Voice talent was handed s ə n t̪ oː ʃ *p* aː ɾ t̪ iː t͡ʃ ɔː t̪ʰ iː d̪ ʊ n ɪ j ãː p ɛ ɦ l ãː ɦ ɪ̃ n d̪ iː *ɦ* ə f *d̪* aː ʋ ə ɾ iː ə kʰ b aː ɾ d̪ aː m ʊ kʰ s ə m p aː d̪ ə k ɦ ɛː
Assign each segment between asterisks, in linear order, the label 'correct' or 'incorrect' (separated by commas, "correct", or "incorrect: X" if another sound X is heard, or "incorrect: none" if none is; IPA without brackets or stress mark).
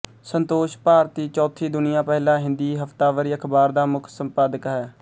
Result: correct, correct, incorrect: t̪